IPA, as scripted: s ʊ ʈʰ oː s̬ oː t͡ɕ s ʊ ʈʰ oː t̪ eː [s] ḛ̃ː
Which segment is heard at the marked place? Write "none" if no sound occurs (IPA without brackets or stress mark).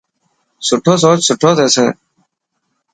s